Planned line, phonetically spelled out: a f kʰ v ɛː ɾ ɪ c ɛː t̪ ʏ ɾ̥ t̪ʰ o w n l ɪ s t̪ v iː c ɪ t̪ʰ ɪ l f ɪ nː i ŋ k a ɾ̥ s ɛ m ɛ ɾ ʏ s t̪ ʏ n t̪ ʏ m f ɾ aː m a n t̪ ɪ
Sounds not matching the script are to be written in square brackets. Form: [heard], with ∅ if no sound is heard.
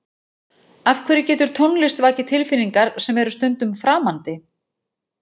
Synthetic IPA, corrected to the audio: a f kʰ v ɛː ɾ ɪ c ɛː t̪ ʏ ɾ̥ t̪ʰ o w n l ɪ s t̪ v [aː] c ɪ t̪ʰ ɪ l f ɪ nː i ŋ k a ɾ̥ s ɛ m ɛ ɾ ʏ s t̪ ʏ n t̪ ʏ m f ɾ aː m a n t̪ ɪ